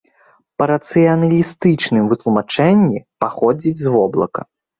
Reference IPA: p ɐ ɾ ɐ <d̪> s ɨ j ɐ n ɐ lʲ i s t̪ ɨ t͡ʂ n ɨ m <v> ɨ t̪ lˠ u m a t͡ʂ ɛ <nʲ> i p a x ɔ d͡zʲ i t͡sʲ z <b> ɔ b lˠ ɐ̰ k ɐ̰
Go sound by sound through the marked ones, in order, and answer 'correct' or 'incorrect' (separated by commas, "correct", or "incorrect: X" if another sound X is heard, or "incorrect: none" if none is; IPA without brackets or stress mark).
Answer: incorrect: t̪, correct, incorrect: nʲː, incorrect: v